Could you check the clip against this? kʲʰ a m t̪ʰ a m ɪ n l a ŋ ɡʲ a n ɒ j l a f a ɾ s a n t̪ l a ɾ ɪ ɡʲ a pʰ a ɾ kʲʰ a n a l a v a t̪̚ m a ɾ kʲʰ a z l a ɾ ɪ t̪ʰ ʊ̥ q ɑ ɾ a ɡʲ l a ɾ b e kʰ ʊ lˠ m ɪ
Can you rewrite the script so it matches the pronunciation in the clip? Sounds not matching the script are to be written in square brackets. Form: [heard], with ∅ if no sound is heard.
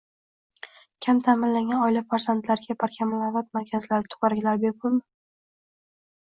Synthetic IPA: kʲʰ a m t̪ʰ a m ɪ n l a ŋ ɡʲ a n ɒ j l a f a ɾ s a n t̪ l a ɾ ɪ ɡʲ a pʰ a ɾ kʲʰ a [m] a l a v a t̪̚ m a ɾ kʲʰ a z l a ɾ ɪ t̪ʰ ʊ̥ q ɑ ɾ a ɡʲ l a ɾ b e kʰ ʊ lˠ m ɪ